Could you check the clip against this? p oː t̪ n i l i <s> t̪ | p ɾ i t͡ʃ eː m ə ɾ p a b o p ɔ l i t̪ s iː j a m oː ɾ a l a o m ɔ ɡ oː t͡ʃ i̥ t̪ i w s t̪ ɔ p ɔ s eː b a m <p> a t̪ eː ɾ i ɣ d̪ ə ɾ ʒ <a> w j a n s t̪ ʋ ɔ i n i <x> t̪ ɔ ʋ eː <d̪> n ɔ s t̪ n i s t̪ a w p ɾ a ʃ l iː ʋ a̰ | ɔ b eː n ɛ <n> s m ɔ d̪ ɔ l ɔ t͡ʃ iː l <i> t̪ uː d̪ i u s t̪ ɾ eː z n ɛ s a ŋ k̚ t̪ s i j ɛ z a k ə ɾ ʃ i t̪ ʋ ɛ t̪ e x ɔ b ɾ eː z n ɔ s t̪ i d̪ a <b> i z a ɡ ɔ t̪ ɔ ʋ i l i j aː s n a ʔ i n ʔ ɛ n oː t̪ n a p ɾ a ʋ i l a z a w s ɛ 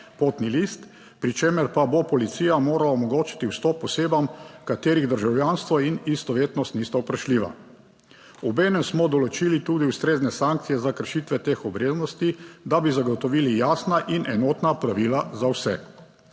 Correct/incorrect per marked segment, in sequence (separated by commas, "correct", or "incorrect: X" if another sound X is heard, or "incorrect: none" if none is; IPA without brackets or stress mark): correct, incorrect: k, correct, incorrect: s, incorrect: t̪, incorrect: m, correct, correct